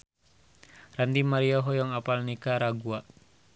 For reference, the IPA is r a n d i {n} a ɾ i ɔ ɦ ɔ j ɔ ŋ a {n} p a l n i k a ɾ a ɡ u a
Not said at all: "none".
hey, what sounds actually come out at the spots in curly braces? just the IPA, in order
m, none

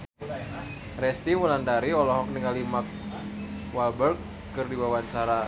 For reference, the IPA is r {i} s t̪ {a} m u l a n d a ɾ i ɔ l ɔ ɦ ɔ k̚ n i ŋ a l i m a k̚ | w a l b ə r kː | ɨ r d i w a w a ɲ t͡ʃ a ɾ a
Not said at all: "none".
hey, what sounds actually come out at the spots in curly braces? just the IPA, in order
ɛ, i

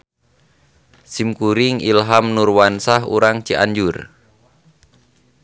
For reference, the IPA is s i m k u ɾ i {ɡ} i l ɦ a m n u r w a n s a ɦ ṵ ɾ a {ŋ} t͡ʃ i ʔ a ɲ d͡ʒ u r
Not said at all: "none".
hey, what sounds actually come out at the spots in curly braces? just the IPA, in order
ŋ, ŋ

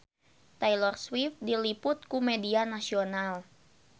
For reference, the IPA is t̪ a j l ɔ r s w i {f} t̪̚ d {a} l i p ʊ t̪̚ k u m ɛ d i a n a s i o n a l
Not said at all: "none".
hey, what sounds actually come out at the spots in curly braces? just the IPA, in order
f, i

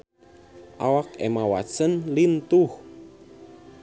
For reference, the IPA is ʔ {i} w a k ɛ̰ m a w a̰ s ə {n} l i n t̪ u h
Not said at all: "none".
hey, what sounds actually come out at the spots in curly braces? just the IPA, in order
a, n

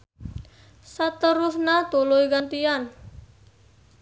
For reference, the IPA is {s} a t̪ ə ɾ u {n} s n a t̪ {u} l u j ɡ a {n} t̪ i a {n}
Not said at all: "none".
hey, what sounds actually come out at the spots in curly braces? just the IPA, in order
s, none, u, n, n

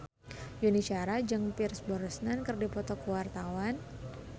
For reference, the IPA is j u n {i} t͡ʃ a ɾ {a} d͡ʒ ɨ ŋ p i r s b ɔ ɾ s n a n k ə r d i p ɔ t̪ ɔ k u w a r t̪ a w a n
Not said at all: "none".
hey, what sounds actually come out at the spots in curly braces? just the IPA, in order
i, a

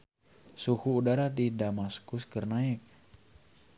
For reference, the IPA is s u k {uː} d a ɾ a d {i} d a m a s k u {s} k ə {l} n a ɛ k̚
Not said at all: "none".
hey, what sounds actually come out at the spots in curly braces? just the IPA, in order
uː, i, s, r

